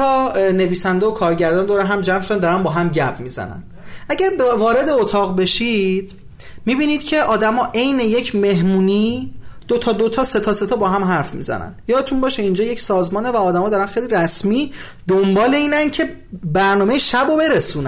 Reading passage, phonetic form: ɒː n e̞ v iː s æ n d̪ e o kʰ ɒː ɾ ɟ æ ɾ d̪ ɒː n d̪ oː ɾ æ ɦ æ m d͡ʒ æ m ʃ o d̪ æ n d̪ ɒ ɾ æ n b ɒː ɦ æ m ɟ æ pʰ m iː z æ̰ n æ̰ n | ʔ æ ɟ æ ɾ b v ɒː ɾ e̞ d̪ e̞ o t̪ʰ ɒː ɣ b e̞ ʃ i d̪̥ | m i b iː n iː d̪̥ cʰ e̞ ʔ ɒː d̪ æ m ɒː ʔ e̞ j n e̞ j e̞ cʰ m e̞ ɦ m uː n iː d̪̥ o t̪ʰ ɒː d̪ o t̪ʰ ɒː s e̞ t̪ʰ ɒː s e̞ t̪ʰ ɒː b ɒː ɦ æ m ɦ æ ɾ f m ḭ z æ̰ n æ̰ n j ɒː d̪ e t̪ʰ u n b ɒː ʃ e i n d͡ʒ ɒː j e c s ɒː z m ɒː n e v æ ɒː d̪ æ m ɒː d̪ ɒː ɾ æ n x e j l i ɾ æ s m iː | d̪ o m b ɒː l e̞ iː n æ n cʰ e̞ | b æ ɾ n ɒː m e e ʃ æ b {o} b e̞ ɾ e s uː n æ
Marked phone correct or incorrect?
correct